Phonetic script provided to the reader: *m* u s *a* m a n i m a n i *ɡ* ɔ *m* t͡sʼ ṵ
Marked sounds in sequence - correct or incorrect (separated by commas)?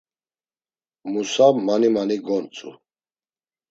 correct, correct, correct, incorrect